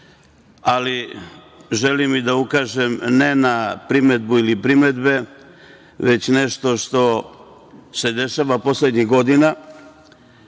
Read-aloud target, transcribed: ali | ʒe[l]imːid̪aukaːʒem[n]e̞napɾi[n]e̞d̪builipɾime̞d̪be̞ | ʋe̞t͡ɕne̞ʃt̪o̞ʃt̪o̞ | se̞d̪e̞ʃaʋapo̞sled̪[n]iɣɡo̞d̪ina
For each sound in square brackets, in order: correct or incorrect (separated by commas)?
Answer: correct, correct, incorrect, incorrect